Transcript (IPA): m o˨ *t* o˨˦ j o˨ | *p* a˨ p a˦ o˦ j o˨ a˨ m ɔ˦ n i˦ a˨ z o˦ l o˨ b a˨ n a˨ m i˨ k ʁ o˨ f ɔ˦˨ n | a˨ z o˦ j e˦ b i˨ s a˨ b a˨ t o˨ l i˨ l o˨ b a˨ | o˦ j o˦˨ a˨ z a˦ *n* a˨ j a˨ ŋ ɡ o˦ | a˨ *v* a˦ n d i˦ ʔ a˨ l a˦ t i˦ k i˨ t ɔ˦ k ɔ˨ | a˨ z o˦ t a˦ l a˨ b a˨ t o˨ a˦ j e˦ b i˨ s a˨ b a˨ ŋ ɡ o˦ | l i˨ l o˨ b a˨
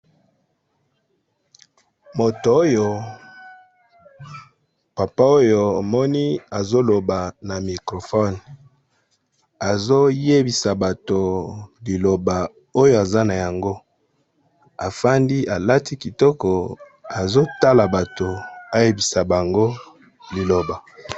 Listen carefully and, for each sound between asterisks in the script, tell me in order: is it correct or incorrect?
correct, correct, correct, incorrect: f

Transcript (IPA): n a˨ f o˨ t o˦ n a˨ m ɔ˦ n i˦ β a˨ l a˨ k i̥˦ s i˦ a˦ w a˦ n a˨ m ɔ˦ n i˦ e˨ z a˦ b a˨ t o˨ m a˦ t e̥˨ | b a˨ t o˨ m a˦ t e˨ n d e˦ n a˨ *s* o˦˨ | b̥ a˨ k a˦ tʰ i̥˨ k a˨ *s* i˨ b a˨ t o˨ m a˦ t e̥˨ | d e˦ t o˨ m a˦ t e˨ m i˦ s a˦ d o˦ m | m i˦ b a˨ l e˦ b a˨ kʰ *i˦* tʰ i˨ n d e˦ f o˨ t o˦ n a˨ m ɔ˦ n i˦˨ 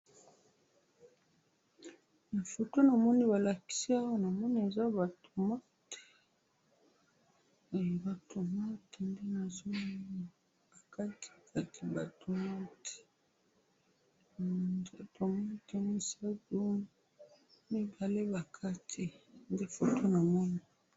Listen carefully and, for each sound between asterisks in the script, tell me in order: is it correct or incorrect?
incorrect: z, incorrect: t, incorrect: a˦

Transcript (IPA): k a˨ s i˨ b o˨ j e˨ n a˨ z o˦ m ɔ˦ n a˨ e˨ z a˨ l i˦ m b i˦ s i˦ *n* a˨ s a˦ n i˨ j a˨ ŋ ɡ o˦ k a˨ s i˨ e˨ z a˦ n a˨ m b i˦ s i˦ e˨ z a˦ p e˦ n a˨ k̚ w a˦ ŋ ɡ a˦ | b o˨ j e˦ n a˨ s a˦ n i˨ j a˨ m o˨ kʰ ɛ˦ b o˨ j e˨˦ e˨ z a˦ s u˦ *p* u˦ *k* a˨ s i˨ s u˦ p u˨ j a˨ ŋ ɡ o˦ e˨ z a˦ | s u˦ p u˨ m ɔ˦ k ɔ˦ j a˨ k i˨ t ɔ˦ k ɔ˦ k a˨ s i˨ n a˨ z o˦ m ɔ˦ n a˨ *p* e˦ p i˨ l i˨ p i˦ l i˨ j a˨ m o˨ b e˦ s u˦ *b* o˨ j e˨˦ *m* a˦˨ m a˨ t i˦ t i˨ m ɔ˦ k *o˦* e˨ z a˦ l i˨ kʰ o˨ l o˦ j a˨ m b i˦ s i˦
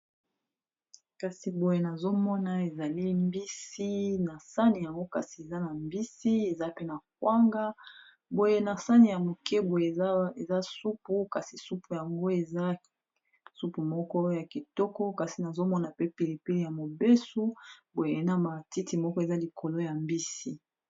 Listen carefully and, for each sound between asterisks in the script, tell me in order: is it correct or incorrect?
correct, correct, correct, correct, correct, incorrect: n, incorrect: ɔ˦

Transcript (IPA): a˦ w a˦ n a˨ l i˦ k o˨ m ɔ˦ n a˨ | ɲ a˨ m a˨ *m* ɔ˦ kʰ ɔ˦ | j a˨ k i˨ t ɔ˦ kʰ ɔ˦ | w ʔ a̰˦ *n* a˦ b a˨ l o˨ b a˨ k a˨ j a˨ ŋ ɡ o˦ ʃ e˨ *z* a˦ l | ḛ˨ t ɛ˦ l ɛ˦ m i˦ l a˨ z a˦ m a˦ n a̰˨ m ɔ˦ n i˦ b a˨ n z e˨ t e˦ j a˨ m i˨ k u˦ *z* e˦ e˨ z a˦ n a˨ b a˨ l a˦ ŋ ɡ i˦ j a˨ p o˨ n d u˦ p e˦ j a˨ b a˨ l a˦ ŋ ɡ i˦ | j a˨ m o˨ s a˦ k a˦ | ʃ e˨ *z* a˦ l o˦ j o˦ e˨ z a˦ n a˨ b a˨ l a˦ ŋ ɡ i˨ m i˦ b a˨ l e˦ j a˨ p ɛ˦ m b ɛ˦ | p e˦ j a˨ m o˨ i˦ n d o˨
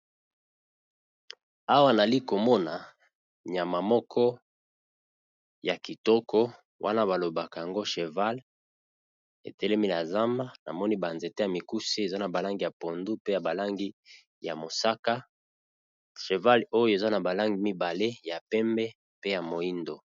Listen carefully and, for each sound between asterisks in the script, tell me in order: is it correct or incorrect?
correct, correct, incorrect: v, incorrect: s, incorrect: v

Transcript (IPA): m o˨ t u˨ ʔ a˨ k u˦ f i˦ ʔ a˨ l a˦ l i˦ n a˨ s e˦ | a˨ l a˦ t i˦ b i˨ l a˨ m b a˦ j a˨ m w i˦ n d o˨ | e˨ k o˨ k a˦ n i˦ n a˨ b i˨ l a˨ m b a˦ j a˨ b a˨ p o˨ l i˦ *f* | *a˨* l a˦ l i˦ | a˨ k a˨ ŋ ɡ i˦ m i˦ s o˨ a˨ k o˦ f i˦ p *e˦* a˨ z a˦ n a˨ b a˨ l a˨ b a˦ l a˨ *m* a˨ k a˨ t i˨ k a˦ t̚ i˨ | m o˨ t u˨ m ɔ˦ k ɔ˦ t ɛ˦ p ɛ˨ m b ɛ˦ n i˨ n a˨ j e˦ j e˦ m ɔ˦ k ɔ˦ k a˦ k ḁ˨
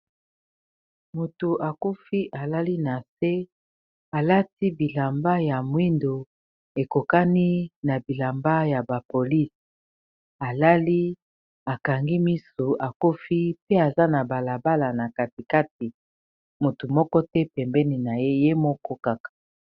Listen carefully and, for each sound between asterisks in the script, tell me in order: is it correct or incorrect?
incorrect: s, correct, correct, incorrect: n

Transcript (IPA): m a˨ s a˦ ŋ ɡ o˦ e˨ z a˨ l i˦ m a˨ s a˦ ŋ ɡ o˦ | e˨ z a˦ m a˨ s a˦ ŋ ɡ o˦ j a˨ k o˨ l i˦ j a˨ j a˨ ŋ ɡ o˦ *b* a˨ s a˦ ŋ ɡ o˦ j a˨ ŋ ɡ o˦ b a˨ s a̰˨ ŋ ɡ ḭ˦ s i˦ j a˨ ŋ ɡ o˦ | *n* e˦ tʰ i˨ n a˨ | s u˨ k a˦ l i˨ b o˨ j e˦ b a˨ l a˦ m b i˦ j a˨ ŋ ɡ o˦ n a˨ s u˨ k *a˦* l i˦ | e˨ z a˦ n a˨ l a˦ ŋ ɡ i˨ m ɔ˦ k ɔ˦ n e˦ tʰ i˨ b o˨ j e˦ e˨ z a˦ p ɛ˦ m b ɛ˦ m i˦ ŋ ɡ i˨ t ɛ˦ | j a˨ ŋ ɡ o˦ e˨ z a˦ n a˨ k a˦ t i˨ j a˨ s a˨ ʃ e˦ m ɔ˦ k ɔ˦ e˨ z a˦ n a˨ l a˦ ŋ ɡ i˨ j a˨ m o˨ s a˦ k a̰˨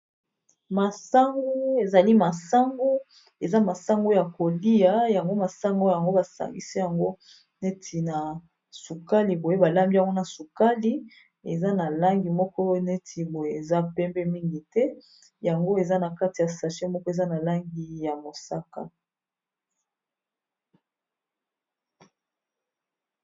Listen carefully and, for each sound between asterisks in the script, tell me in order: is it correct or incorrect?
incorrect: m, correct, correct

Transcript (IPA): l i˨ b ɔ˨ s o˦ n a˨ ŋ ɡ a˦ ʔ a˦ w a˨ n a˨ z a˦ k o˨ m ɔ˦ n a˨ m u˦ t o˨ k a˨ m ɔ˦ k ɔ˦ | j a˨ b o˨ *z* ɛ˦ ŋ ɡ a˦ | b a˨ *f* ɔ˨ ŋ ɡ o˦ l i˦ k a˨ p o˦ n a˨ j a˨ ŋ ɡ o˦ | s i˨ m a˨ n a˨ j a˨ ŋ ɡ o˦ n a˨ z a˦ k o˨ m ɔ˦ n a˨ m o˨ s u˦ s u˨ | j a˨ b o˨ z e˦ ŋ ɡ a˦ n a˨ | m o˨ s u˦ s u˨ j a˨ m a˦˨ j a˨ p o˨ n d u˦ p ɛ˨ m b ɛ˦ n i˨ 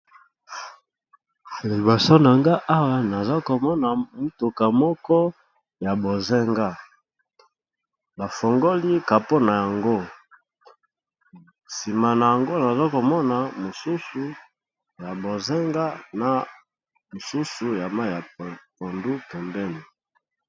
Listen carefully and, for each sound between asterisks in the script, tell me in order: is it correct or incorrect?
correct, correct

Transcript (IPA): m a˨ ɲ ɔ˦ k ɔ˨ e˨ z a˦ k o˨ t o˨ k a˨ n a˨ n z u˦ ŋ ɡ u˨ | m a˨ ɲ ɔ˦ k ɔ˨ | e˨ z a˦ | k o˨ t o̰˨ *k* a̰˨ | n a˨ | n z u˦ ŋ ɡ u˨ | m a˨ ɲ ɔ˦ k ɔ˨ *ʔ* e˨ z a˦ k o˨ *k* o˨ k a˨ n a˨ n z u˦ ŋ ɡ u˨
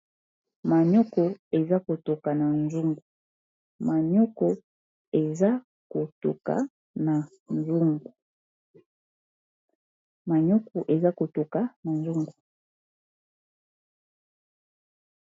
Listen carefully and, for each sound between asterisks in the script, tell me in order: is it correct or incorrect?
correct, correct, incorrect: t

